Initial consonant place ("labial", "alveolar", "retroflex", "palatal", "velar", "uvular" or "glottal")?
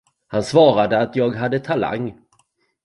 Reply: glottal